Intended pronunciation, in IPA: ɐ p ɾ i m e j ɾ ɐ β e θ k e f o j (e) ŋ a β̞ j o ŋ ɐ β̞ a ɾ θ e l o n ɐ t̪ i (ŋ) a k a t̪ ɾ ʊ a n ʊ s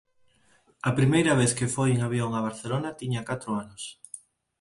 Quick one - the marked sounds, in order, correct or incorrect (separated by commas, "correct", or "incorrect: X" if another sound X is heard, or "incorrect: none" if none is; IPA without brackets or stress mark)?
correct, incorrect: ɲ